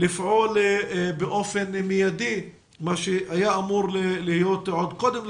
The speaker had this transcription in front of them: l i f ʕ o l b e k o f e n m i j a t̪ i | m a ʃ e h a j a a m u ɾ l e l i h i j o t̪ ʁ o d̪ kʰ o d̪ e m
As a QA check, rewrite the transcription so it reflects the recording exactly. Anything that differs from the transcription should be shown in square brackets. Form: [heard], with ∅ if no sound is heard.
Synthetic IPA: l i f ʕ o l b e [ʔ] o f e n m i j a [d̪] i | m a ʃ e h a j a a m u ɾ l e l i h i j o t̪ [ʕ] o d̪ [k] o d̪ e m